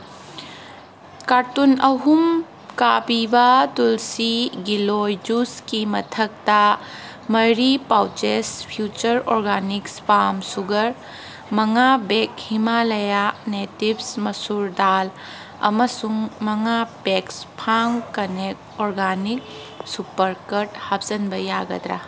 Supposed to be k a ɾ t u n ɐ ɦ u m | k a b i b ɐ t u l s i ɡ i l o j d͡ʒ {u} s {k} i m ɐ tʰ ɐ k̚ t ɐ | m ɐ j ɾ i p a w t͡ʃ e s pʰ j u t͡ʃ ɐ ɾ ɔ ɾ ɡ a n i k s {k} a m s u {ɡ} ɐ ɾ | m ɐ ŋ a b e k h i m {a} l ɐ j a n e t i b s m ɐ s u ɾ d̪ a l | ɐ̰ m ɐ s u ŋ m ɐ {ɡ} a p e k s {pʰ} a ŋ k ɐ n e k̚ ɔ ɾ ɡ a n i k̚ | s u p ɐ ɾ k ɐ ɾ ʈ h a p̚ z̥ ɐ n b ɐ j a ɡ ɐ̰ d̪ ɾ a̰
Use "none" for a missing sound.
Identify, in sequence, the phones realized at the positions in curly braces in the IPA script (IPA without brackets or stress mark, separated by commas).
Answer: u, k, p, ɡ, a, ŋ, pʰ